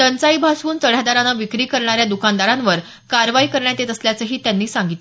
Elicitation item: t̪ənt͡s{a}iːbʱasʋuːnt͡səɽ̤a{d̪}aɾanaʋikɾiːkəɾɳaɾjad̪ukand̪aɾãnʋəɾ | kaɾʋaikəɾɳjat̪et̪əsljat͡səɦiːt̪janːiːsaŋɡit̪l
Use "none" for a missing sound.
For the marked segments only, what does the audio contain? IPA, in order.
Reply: a, d̪

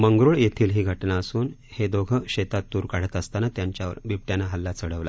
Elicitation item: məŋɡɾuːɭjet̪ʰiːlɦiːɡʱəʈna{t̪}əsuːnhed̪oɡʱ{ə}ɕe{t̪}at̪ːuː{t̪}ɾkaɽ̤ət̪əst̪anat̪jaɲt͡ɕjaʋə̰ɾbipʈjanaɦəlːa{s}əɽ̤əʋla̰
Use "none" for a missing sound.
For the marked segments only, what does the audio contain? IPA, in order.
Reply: none, ə, t̪, none, t͡s

